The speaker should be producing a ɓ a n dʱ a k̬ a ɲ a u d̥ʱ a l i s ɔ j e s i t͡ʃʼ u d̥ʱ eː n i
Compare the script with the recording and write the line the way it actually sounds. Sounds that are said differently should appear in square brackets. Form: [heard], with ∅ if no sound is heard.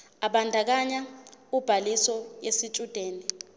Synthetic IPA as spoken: a ɓ a n dʱ a k̬ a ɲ a u [b̥ʱ] a l i s ɔ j e s i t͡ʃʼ u d̥ʱ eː n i